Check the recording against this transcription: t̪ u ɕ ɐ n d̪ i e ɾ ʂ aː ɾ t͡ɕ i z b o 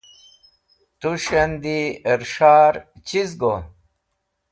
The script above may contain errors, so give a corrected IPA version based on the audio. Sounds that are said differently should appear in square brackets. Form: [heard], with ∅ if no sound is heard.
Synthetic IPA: t̪ u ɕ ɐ n d̪ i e ɾ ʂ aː ɾ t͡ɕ i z [ɡ] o